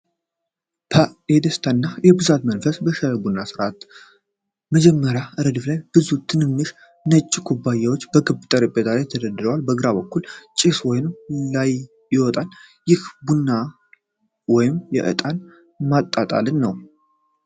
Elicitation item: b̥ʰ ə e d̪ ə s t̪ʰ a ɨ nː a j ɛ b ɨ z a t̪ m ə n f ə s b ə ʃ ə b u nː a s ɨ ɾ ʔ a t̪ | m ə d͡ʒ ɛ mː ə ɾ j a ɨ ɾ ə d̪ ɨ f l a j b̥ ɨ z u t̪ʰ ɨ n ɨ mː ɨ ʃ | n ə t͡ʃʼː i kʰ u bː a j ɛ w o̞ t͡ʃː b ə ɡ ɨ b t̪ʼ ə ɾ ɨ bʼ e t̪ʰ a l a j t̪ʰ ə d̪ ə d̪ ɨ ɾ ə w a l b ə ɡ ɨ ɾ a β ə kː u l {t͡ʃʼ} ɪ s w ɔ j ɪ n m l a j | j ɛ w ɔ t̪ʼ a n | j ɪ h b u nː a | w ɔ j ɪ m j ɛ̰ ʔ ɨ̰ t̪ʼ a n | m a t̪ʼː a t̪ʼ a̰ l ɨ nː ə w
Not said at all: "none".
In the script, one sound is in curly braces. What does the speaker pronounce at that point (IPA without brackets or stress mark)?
t͡ʃʼ